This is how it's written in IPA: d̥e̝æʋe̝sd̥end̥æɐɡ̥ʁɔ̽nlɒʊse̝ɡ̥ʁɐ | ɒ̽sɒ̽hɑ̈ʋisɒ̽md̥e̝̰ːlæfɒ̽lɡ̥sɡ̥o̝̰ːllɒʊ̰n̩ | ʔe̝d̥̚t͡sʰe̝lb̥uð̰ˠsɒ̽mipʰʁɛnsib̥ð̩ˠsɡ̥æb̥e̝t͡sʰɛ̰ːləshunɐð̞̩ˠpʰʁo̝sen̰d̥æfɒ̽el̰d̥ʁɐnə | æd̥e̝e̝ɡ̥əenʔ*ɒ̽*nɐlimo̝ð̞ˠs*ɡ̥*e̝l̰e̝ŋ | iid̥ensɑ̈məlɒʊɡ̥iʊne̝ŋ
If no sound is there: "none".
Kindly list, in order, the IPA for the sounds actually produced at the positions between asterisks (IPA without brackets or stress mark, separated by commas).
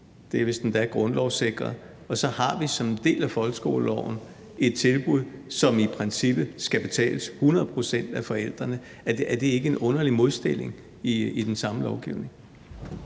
ɔ̽, d̥